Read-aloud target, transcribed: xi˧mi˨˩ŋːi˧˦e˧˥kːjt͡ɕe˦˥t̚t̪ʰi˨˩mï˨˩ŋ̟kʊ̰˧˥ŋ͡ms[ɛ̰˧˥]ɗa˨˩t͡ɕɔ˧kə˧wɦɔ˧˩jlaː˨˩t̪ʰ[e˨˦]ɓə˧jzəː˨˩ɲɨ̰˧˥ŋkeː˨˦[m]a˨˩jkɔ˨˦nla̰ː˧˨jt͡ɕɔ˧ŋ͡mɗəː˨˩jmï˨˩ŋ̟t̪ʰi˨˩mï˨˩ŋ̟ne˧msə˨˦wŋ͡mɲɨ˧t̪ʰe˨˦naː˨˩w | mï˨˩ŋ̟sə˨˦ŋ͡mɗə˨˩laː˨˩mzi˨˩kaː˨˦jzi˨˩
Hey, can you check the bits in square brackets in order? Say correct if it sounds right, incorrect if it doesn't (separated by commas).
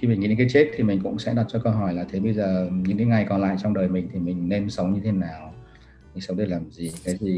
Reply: correct, correct, incorrect